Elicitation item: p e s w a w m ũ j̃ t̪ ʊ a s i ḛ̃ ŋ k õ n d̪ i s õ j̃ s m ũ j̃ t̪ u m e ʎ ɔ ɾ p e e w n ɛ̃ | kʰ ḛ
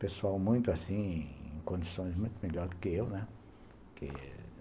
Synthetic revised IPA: p e s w a w m ũ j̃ t̪ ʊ a s ĩ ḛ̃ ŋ k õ n d̪ i s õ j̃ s m ũ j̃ t̪ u m e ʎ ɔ ɾ k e e w n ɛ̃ | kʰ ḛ